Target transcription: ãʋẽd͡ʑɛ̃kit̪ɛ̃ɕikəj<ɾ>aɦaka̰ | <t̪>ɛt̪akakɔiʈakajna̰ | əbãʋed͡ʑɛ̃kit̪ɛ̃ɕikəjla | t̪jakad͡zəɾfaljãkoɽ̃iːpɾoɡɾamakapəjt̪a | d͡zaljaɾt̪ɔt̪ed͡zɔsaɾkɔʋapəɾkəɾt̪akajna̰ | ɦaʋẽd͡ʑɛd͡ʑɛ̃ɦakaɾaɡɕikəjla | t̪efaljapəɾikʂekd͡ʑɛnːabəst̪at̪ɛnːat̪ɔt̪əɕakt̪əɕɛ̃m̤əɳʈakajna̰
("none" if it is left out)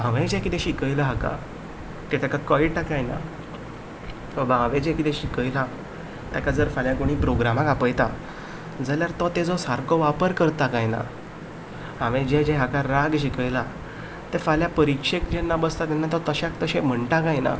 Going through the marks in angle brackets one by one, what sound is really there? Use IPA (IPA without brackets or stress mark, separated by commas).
l, t̪